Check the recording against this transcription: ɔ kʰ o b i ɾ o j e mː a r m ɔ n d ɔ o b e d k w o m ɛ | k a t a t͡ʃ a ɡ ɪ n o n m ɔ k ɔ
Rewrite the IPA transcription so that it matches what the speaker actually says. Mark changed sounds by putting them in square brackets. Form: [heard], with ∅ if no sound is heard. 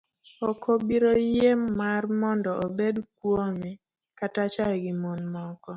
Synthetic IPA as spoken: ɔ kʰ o b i ɾ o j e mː a r m ɔ n d ɔ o b e d k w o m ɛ | k a t a t͡ʃ a ɡ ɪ [m] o n m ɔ k ɔ